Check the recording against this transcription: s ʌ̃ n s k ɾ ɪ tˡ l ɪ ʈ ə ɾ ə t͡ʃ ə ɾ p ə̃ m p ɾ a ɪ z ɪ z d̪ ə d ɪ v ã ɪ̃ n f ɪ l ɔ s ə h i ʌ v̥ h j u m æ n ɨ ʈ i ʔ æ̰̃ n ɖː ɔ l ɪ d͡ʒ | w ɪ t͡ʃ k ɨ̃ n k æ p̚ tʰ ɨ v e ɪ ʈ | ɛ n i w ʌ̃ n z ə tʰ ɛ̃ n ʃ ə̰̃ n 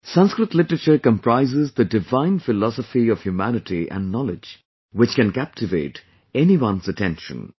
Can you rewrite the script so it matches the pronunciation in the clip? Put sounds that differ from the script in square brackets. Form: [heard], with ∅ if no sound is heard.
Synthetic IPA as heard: s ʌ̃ n s k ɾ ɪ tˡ l ɪ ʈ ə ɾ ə t͡ʃ ə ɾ [k] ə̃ m p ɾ a ɪ z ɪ z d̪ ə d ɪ v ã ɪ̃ n f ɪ l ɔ s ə [f] i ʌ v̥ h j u m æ n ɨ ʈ i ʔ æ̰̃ n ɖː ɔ l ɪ d͡ʒ | w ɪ t͡ʃ k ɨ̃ n k æ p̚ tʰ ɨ v e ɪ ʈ | ɛ n i w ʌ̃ n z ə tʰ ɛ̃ n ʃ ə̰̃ n

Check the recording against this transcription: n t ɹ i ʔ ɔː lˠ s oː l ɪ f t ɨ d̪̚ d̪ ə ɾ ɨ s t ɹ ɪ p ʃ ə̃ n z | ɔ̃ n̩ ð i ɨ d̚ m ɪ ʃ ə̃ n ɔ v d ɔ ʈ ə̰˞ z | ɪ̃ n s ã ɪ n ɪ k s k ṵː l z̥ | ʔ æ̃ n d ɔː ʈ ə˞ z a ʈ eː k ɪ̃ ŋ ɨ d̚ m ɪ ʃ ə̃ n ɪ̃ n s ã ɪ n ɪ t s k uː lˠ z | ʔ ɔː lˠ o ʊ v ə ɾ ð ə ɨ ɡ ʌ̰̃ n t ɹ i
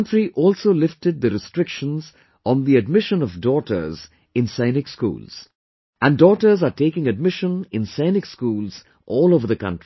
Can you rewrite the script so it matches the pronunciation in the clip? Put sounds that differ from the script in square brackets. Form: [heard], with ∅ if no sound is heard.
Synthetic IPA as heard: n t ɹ i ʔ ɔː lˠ s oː l ɪ f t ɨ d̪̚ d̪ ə ɾ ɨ s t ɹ ɪ [k] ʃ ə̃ n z | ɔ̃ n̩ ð i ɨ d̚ m ɪ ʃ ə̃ n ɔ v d ɔ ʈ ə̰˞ z | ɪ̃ n s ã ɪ n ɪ k s k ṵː l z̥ | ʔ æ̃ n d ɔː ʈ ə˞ z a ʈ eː k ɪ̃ ŋ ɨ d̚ m ɪ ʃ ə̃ n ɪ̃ n s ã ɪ n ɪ [k] s k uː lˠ z | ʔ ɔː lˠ o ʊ v ə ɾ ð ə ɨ [k] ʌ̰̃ n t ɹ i

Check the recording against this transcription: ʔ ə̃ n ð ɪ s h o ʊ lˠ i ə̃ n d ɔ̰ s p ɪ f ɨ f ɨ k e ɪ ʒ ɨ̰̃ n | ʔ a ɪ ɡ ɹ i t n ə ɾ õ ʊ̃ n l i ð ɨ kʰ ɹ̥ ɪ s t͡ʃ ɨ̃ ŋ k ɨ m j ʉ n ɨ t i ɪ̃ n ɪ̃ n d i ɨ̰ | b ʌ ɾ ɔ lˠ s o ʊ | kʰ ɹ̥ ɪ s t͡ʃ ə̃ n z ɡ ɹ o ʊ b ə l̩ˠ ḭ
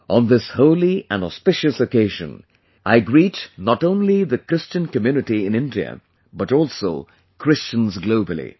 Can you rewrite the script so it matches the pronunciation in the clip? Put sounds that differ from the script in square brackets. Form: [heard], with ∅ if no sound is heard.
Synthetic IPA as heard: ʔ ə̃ n ð ɪ s h o ʊ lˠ i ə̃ n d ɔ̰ s p ɪ [ʃ] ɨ [s] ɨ k e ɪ ʒ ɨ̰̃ n | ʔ a ɪ ɡ ɹ i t n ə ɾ õ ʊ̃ n l i ð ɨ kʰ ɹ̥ ɪ s t͡ʃ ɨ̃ [n] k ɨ m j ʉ n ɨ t i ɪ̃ n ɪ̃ n d i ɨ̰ | b ʌ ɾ ɔ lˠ s o ʊ | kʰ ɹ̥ ɪ s t͡ʃ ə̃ n z ɡ [l] o ʊ b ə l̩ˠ ḭ

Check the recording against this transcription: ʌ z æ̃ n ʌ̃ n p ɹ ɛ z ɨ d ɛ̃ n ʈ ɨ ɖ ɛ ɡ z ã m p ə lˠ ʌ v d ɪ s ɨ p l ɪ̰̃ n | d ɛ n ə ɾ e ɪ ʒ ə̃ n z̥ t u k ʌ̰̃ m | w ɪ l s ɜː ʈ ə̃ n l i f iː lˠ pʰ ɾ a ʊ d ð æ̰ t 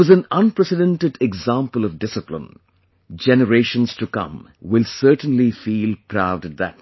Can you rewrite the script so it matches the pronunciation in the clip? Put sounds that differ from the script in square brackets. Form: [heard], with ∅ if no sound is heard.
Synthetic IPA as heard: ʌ z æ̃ n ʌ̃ n p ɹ ɛ [s] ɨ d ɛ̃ n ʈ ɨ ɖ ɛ ɡ z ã m p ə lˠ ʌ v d ɪ s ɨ p l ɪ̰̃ n | [d͡ʒ] ɛ n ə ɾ e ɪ [ʃ] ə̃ n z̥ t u k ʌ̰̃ m | w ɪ l s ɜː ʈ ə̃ n l i f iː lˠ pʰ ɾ a ʊ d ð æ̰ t

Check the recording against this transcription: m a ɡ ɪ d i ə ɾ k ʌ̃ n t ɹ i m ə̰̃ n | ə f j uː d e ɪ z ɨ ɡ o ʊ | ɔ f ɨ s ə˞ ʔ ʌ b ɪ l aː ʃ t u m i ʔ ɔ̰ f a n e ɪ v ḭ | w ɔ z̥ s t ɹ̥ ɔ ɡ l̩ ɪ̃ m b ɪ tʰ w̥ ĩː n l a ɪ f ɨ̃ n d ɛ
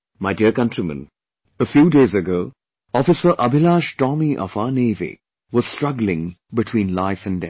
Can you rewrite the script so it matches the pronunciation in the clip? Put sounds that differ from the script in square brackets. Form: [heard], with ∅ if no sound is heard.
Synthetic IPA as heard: m a [∅] ɪ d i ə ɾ k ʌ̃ n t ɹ i m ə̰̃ n | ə f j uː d e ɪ z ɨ ɡ o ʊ | ɔ f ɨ s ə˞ ʔ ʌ b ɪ l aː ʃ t [ɔ] m i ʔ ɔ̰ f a n e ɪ v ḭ | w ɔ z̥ s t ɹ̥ [ʌ] ɡ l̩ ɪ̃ [ŋ] b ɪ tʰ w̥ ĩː n l a ɪ f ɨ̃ n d ɛ

